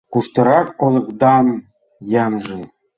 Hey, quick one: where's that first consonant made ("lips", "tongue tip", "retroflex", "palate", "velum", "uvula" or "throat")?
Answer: velum